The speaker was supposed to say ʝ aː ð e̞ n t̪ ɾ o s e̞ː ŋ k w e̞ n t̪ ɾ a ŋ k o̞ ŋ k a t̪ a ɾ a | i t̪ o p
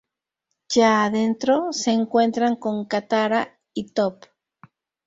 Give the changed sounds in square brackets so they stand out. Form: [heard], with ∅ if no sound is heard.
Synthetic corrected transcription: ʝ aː ð e̞ n t̪ ɾ o s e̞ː ŋ k w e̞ n t̪ ɾ a ŋ k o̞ ŋ k a t̪ a ɾ a | i t̪ o p